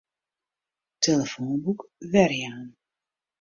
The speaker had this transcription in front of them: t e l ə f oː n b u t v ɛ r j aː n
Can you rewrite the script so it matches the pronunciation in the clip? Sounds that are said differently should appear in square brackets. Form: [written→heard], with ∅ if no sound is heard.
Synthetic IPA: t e l ə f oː n b u [t→k] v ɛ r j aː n